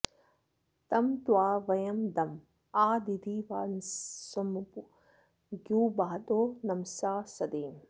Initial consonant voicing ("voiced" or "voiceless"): voiceless